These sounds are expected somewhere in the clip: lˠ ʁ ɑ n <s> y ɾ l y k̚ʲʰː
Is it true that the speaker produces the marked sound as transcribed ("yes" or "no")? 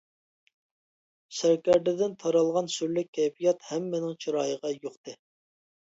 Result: yes